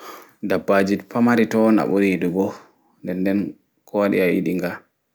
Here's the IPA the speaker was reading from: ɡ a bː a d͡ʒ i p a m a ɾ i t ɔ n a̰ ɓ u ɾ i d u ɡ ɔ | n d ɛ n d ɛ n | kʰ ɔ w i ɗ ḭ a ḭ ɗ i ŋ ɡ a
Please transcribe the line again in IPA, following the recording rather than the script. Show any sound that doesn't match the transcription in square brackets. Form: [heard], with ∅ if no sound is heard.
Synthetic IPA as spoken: [d] a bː a d͡ʒ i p a m a ɾ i t ɔ n a̰ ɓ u ɾ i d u ɡ ɔ | n d ɛ n d ɛ n | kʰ ɔ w [a] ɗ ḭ a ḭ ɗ i ŋ ɡ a